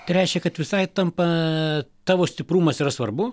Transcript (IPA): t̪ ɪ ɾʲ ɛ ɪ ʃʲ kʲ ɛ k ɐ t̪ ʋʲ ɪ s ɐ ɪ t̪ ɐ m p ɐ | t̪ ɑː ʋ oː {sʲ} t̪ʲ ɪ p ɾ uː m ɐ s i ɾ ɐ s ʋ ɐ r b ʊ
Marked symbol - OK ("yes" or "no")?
yes